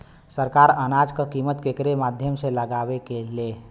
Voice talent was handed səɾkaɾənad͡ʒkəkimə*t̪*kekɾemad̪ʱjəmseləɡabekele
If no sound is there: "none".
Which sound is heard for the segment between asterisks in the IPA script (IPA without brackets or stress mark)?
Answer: t̪